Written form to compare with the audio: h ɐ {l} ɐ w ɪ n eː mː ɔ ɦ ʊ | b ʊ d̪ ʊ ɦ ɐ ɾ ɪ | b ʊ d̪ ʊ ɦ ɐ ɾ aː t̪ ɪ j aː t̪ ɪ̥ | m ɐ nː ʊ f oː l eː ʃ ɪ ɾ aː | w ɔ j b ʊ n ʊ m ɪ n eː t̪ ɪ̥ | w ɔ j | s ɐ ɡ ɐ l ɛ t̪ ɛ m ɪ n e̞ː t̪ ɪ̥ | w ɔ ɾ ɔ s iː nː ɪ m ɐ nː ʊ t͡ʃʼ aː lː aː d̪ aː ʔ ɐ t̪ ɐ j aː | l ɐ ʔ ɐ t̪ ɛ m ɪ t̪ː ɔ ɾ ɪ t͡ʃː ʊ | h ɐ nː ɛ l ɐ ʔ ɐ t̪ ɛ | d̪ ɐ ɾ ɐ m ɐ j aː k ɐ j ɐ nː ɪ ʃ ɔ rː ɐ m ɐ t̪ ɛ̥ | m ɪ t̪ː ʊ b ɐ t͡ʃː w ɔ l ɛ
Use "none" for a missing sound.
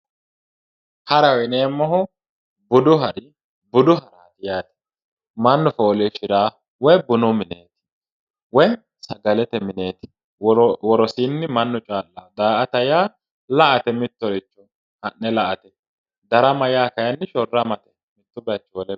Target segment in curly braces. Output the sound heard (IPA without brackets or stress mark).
ɾ